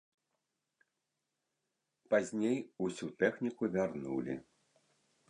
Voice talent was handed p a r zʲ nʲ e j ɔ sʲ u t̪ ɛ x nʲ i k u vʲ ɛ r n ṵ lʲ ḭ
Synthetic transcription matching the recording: p a zʲ nʲ e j u sʲ u t̪ ɛ x nʲ i k u vʲ a r n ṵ lʲ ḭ

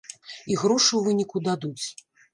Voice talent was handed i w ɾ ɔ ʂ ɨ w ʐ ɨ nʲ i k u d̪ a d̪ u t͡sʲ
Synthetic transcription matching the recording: i ɣ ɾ ɔ ʂ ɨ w v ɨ nʲ i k u d̪ a d̪ u t͡sʲ

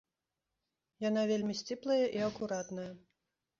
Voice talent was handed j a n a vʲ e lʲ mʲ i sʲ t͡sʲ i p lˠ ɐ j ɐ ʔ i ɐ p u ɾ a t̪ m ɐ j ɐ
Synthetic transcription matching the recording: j a n a vʲ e lʲ mʲ i sʲ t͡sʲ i p lˠ ɐ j ɐ ʔ i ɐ k u ɾ a t̪ n ɐ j ɐ

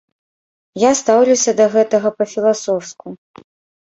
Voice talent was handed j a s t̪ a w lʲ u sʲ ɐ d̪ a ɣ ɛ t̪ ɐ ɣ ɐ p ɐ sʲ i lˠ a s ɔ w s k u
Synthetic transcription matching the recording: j a s t̪ a w lʲ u sʲ ɐ d̪ ɐ ɣ ɛ t̪ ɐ ɣ ɐ p ɐ fʲ i lˠ a s ɔ w s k u

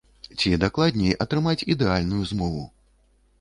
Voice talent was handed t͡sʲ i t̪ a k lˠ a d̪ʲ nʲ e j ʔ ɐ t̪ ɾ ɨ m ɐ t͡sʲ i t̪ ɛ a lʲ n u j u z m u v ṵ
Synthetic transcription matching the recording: t͡sʲ i d̪ a k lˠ a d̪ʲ nʲ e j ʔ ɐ t̪ ɾ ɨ m a t͡sʲ i d̪ ɛ a lʲ n u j u z m ɔ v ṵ

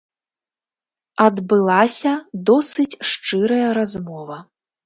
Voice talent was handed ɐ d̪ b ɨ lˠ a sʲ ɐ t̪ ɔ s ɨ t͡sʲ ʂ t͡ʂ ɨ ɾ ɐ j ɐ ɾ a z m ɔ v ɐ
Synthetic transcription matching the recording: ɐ d̪ b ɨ lˠ a sʲ ɐ d̪ ɔ s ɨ t͡sʲ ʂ t͡ʂ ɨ ɾ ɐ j ɐ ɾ a z m ɔ v ɐ

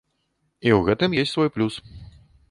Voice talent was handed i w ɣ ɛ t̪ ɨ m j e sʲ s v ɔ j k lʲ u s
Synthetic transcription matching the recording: i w ɣ ɛ t̪ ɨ m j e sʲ s v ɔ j p lʲ u s

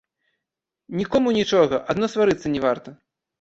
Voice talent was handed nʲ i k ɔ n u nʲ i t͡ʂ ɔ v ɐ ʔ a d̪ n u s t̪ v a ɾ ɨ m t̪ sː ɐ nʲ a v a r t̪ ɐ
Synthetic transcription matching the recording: nʲ i k ɔ m u nʲ i t͡ʂ ɔ ɣ ɐ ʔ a d̪ n ɔ s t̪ v a ɾ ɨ t̪ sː ɐ nʲ ɛ v a r t̪ ɐ

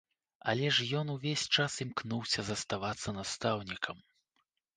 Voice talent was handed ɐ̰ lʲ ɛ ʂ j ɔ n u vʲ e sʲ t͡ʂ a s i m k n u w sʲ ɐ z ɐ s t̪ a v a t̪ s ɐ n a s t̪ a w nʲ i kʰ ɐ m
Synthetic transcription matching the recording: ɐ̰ lʲ ɛ ʂ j ɔ n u vʲ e sʲ t͡ʂ a s i m k n u w sʲ ɐ z ɐ s t̪ a v a t̪ sː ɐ n a s t̪ a w nʲ i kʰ ɐ m

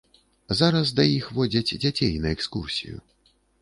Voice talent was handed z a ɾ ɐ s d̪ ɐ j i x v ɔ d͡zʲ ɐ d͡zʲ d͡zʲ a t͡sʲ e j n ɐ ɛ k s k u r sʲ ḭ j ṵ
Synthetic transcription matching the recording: z a ɾ ɐ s d̪ ɐ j i x v ɔ d͡zʲ ɐ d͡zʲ d͡zʲ a t͡sʲ e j n ɐ ɛ k s k u r sʲ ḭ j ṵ

